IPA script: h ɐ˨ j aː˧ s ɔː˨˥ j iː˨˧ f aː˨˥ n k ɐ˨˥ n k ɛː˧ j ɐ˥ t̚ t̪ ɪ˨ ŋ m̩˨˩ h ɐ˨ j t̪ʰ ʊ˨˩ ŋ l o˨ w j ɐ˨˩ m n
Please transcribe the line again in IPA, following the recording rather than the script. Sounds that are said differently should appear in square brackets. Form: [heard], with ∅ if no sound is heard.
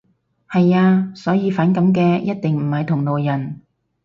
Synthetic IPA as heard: h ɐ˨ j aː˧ s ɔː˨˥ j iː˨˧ f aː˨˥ n k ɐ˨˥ [m] k ɛː˧ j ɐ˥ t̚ t̪ ɪ˨ ŋ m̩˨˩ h ɐ˨ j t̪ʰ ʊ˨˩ ŋ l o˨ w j ɐ˨˩ [∅] n